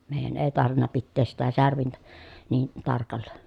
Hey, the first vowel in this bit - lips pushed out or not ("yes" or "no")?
no